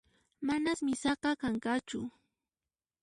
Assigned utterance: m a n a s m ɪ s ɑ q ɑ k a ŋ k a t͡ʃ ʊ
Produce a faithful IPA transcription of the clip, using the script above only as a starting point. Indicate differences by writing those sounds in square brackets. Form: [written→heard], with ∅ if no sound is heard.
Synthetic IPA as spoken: m a n a s m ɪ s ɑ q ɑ k a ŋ k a t͡ʃ ʊ